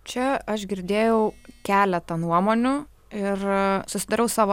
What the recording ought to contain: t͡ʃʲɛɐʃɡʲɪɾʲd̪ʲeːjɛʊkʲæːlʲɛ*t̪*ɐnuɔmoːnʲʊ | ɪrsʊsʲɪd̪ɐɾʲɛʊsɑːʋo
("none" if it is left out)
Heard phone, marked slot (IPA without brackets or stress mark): t̪